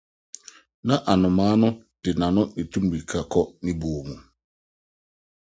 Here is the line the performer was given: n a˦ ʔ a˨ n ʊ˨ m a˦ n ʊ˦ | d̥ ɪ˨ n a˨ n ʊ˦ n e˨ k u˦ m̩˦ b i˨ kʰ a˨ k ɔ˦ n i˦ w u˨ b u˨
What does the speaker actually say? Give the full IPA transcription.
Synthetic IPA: n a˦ ʔ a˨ n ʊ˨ m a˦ n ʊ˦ | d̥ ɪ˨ n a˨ n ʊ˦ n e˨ t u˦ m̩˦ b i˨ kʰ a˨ k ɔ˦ n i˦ b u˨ m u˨